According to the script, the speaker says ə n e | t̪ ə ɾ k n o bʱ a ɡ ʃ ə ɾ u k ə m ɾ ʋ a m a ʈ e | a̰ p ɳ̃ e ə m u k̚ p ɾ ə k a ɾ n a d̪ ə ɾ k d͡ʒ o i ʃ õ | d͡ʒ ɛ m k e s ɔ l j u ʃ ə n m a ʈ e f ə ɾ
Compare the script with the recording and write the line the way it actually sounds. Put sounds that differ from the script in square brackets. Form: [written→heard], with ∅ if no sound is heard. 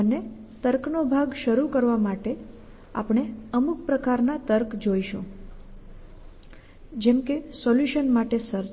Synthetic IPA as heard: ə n e | t̪ ə ɾ k n o bʱ a ɡ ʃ ə ɾ u k ə [m→∅] ɾ ʋ a m a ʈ e | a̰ p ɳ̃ e ə m u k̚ p ɾ ə k a ɾ n a [d̪→t̪] ə ɾ k d͡ʒ o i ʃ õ | d͡ʒ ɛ m k e s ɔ l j u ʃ ə n m a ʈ e [f→s] ə ɾ